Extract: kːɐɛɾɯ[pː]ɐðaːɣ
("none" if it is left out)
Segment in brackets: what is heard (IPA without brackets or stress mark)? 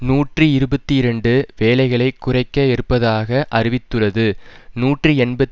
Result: pː